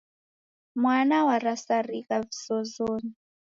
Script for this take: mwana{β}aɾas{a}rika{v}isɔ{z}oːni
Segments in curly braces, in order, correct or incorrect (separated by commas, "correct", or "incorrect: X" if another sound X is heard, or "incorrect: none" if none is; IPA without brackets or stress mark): incorrect: w, correct, correct, correct